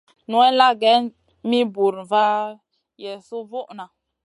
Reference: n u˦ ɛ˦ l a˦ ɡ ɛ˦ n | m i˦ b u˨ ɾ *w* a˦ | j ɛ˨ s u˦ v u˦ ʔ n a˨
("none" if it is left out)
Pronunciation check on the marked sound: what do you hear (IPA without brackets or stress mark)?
v